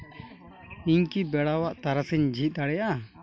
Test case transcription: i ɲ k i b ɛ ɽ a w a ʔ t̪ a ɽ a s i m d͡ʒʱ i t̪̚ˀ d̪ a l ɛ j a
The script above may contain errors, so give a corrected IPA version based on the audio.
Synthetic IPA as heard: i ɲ k i b ɛ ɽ a w a ʔ t̪ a ɾ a s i ɲ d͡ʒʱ i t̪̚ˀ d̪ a ɽ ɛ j a